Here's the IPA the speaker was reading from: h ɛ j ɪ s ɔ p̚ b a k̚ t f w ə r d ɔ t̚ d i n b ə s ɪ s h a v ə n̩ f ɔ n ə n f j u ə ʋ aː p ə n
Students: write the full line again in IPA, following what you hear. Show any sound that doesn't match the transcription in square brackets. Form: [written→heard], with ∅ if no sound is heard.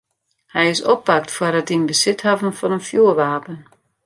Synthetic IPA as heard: h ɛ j ɪ s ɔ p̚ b a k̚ t f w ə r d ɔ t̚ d i n b ə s ɪ [s→t] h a v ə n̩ f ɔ n ə n f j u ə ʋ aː p ə n